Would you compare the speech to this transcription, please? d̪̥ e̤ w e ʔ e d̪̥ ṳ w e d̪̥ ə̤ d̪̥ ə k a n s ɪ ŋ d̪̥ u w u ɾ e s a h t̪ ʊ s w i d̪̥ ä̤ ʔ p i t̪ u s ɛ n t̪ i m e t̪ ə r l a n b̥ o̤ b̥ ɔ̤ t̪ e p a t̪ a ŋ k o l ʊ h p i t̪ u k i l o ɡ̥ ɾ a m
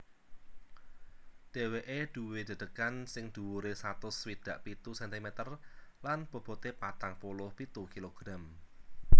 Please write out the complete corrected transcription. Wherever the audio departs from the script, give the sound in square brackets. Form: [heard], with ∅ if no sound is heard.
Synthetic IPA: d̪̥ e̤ w e ʔ e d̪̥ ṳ w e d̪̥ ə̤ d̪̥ ə k a n s ɪ ŋ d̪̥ u w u ɾ e s a [∅] t̪ ʊ s w i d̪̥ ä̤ ʔ p i t̪ u s ɛ n t̪ i m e t̪ ə r l a n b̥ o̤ b̥ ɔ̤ t̪ e p a t̪ a ŋ [p] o l ʊ h p i t̪ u k i l o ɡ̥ ɾ a m